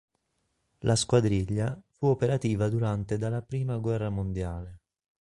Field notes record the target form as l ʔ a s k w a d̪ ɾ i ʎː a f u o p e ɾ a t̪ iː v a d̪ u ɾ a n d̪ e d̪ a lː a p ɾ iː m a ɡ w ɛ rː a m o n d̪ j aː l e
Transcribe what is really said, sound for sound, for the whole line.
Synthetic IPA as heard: l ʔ a s k w a d̪ ɾ i ʎː a f u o p e ɾ a t̪ iː v a d̪ u ɾ a n t̪ e d̪ a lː a p ɾ iː m a ɡ w ɛ rː a m o n d̪ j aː l e